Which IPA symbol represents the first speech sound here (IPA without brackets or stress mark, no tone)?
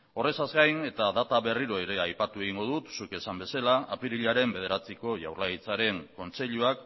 o̞